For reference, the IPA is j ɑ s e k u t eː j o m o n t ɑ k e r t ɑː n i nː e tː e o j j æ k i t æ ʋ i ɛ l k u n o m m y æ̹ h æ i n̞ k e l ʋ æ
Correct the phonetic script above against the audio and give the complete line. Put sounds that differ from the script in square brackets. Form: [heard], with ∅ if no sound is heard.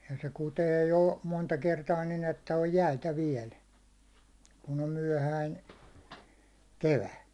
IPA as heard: j ɑ s e k u t eː j o m o n t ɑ k e r t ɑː n i [n] e tː [æ] o j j æ [∅] i t æ ʋ i ɛ l k u n o m m y æ̹ h æ i n̞ k e [∅] ʋ æ

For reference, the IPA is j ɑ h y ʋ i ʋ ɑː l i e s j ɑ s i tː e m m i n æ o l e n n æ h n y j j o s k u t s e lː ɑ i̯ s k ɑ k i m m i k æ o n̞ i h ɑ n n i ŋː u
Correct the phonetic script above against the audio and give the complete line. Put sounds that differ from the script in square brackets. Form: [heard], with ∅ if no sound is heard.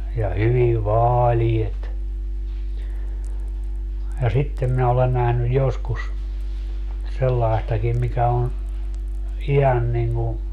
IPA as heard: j ɑ h y ʋ i ʋ ɑː l i e [t] j ɑ s i tː e m m i n æ o l e n n æ h n y j j o s k u [s] s e lː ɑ i̯ s [t] ɑ k i m m i k æ o n̞ i h ɑ n n i ŋː u

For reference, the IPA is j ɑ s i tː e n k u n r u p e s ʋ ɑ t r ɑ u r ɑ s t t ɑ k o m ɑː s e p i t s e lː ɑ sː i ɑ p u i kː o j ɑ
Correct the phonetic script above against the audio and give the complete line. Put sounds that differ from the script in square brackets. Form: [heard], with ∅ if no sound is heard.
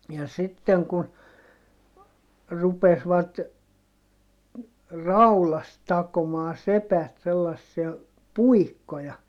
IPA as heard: j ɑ s i tː e [ŋ] k u n r u p e s ʋ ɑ t r ɑ u [l] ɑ s t t ɑ k o m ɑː s e p [æ] t s e lː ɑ sː i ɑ p u i kː o j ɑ

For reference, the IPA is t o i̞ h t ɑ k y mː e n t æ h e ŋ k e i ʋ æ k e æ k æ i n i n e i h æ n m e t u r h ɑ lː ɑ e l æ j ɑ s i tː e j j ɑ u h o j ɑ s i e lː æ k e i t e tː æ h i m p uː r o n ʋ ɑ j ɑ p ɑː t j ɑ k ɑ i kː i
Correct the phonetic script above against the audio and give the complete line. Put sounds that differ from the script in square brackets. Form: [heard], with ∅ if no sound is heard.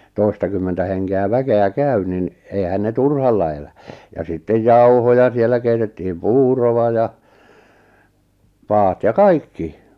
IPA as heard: t o i̞ [s] t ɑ k y mː e n t æ h e ŋ k e [æ] ʋ æ k e æ k æ [y] n i n e i h æ n [n] e t u r h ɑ lː ɑ e l æ j ɑ s i tː e j j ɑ u h o j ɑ s i e lː æ k e i t e tː [i] h i m p uː r o [∅] ʋ ɑ j ɑ p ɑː t j ɑ k ɑ i kː i

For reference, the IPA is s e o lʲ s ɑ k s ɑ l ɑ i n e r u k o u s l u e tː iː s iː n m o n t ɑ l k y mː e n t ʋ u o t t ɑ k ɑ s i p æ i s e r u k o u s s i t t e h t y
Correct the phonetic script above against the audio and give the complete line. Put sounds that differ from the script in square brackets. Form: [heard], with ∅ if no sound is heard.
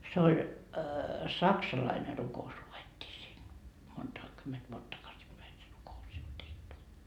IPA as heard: s e o lʲ s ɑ k s ɑ l ɑ i n e r u k o u s l u e tː iː s iː n m o n t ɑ [∅] k y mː e n t ʋ u o t t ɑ k ɑ s i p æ i s e r u k o u s s i t t e h t y

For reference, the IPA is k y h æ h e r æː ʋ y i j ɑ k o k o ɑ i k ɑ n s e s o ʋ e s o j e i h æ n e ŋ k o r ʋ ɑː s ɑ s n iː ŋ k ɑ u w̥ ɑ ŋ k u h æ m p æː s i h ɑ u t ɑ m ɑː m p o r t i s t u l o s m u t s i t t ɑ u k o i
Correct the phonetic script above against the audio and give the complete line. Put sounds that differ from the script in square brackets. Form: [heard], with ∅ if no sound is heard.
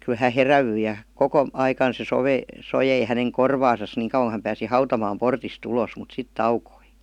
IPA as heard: k y h æ h e r [æ] ʋ y i j ɑ k o k o ɑ i k ɑ n s e s o ʋ e s o j e i h æ n e ŋ k o r ʋ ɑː s ɑ s n iː ŋ k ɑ u w̥ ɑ ŋ k u h æ m p æː s i h ɑ u t ɑ m ɑː m p o r t i s t u l o s m u t s i t t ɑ u k o i

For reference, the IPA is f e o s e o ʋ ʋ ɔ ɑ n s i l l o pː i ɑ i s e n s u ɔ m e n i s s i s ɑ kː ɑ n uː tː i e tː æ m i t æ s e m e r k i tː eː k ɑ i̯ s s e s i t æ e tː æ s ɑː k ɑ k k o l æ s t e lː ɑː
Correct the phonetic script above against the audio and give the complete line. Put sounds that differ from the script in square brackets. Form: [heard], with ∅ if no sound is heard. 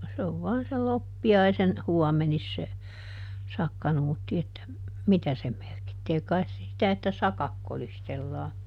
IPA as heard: [s] e o s e o ʋ ʋ ɔ ɑ n s [e] l l o pː i ɑ i s e n [h] u ɔ m e n i s s [e] s ɑ kː ɑ n uː tː i e tː æ m i t æ s e m e r k i tː eː k ɑ i̯ s s e s i t æ e tː æ s [ɑ] k ɑ k k o l [i] s t e lː ɑː

